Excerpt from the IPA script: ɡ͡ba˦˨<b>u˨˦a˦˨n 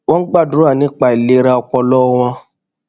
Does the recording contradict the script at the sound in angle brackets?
yes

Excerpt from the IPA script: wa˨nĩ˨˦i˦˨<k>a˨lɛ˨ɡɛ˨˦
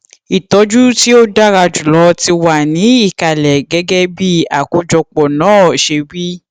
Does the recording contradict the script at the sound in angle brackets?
no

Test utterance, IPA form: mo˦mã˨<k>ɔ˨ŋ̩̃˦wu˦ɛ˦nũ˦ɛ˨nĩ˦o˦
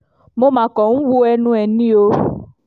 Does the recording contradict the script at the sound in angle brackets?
no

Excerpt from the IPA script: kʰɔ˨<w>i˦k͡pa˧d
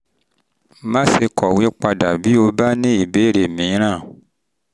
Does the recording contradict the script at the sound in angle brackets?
no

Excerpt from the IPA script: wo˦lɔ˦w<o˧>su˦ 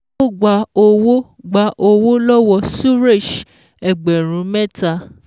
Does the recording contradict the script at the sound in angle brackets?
yes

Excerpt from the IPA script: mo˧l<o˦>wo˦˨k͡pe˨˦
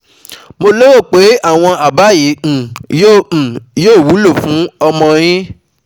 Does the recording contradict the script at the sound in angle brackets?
no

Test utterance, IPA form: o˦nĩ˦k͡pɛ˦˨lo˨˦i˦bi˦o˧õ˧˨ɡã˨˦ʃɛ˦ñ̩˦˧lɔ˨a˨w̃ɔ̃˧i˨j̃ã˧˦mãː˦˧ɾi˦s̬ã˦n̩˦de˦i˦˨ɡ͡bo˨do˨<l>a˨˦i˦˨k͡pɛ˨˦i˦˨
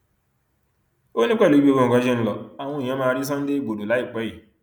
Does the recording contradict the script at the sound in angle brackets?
no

